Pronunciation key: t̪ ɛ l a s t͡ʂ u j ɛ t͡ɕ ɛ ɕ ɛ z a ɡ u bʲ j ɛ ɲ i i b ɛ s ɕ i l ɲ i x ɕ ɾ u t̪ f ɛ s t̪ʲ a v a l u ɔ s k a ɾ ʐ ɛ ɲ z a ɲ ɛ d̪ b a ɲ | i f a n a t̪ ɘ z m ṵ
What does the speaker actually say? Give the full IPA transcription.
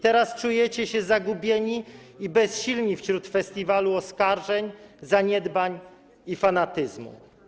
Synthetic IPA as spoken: t̪ ɛ ɾ a s t͡ʂ u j ɛ t͡ɕ ɛ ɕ ɛ z a ɡ u bʲ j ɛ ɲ i i b ɛ s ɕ i l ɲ i f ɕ ɾ u t̪ f ɛ s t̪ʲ i v a l u ɔ s k a ɾ ʐ ɛ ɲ z a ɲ ɛ d̪ b a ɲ | i f a n a t̪ ɘ z m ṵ